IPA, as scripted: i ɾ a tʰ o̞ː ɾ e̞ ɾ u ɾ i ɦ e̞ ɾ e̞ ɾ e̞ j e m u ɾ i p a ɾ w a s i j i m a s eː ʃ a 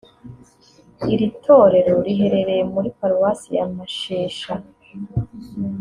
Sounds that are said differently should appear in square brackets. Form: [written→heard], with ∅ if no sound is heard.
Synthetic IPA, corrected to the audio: i ɾ [a→i] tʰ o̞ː ɾ e̞ ɾ [u→o] ɾ i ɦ e̞ ɾ e̞ ɾ e̞ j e m u ɾ i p a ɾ w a s i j [i→a] m a [s→ʃ] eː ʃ a